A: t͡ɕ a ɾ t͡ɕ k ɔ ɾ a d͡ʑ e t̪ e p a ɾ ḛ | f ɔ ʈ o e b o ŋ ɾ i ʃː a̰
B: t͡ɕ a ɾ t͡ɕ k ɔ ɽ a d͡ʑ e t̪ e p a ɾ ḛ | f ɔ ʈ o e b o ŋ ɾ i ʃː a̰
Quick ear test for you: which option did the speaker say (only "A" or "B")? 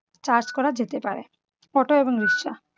A